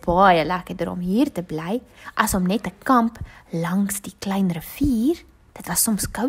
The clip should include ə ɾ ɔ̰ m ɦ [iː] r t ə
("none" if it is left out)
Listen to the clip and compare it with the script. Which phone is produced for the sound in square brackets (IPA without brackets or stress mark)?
iː